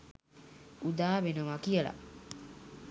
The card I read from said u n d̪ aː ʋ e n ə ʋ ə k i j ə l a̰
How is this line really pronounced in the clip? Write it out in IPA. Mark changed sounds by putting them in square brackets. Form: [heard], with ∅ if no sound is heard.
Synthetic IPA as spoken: u [∅] d̪ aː ʋ e n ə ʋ [a] k i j ə l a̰